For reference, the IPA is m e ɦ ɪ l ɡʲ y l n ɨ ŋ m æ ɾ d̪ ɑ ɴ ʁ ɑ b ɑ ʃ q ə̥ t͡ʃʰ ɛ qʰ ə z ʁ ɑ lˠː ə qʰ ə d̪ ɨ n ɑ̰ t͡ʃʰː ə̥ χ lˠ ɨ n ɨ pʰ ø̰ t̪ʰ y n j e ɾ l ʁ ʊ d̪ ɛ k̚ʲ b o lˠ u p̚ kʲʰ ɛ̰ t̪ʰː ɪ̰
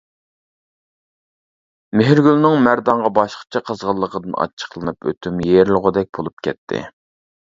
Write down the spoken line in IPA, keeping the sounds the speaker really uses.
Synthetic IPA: m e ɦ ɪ ɾ ɡʲ y l n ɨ ŋ m æ ɾ d̪ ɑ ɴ ʁ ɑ b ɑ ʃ q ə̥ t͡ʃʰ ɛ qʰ ə z ʁ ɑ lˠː ə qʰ ə d̪ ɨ n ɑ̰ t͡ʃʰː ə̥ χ lˠ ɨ n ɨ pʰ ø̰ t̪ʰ y m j e ɾ l ʁ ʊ d̪ ɛ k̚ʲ b o lˠ u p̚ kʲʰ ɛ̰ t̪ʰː ɪ̰